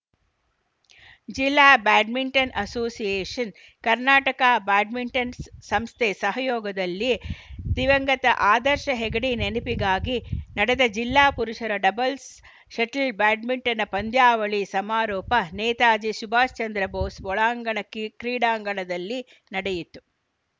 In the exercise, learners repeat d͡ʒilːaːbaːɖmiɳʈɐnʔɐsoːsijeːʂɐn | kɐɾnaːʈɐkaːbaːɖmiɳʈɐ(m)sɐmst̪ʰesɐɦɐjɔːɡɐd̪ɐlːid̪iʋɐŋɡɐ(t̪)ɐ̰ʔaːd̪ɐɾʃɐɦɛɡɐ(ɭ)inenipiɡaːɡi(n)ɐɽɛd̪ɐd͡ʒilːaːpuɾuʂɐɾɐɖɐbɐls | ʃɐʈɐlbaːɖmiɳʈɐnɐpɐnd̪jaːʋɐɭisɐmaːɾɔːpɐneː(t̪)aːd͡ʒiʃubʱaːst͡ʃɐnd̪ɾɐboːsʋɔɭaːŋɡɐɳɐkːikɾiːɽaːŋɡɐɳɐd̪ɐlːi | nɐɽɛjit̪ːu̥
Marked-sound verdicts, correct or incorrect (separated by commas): incorrect, correct, incorrect, correct, correct